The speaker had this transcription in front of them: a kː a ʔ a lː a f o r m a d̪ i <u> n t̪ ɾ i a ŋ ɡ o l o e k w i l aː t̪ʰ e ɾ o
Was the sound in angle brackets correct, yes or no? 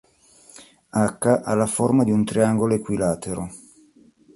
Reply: yes